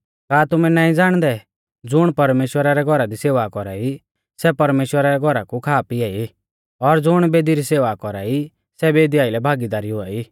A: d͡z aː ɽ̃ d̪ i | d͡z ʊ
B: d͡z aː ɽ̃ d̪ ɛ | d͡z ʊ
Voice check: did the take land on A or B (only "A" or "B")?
B